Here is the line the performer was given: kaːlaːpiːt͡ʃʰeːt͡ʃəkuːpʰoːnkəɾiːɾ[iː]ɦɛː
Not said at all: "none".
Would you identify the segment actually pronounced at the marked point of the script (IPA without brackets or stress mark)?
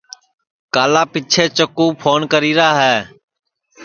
aː